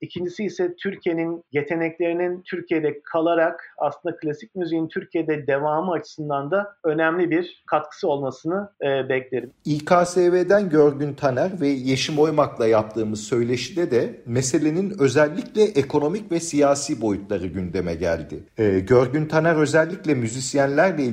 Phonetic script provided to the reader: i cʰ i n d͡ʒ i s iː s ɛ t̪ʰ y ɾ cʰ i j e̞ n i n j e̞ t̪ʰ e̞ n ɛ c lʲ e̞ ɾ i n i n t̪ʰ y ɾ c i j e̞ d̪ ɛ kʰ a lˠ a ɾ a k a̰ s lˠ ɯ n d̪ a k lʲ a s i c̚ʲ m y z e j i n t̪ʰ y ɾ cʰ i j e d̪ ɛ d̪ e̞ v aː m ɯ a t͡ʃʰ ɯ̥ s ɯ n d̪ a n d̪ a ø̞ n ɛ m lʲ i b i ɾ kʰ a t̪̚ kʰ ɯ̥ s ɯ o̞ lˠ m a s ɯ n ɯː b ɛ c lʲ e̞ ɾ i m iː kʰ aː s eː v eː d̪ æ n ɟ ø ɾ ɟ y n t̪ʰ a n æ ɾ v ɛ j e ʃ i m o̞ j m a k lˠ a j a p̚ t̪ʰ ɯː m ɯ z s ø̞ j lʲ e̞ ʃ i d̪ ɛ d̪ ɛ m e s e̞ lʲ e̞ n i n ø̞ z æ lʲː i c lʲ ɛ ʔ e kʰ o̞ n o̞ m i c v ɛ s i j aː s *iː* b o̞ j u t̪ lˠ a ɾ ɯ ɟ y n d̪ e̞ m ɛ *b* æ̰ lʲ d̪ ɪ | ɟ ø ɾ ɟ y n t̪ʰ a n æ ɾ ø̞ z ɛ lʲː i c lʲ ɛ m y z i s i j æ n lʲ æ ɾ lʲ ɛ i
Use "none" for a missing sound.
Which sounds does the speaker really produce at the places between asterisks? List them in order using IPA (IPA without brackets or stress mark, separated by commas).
iː, ɟ